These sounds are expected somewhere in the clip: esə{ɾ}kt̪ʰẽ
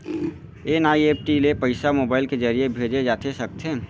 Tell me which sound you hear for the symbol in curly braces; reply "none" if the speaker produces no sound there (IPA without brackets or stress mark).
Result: none